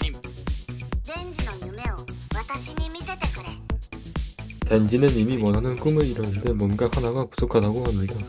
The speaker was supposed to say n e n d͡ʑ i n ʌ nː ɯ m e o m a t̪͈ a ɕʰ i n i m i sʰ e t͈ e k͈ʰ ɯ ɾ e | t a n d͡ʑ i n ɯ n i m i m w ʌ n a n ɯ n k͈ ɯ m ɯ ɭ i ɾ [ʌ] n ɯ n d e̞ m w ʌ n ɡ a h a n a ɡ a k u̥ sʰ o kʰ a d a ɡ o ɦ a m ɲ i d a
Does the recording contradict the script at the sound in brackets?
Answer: no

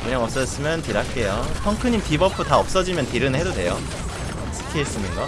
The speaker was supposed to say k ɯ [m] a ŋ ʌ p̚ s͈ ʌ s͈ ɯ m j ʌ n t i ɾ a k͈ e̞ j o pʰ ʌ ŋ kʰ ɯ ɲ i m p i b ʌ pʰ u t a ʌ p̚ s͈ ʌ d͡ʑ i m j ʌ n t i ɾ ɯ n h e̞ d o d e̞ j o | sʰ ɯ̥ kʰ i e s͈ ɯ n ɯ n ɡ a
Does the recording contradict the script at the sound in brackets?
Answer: yes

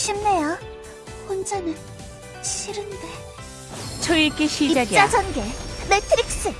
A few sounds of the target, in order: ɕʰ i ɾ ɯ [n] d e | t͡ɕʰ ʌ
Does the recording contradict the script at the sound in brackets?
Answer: no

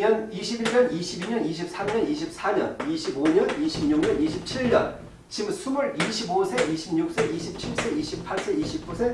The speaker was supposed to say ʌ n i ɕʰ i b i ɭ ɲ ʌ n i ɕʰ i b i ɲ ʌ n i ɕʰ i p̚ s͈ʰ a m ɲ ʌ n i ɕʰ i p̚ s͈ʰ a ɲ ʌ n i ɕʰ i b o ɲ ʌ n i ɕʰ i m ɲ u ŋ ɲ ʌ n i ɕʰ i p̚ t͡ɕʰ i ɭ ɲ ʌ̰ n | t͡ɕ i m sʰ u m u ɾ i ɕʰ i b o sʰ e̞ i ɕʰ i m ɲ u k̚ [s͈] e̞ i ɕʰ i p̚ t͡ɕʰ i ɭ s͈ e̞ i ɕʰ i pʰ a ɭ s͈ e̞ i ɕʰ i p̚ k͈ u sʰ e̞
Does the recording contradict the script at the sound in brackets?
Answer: no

